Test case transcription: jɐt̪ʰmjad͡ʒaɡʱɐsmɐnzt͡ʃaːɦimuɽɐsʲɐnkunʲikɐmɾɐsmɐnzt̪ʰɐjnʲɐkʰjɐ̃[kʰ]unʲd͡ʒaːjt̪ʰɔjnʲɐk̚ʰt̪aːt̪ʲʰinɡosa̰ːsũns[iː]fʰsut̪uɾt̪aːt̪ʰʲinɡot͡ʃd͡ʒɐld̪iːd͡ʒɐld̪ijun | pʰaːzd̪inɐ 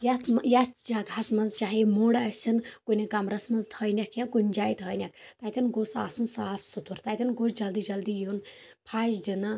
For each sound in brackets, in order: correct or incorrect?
incorrect: k, incorrect: aː

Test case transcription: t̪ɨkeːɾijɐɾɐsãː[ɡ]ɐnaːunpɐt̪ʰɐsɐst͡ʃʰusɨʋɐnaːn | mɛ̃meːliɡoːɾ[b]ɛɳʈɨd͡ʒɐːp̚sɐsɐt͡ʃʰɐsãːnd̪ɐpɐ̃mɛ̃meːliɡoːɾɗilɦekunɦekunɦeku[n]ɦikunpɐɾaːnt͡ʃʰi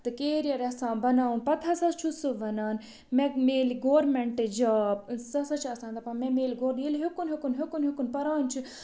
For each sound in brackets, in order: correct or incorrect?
incorrect: b, incorrect: m, correct

